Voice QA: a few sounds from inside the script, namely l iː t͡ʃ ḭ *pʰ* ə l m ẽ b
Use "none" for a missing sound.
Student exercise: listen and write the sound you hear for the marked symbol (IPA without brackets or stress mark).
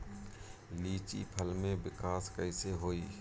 pʰ